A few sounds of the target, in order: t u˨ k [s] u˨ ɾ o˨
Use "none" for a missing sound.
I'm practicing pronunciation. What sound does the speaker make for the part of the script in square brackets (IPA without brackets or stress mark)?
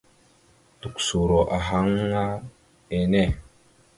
s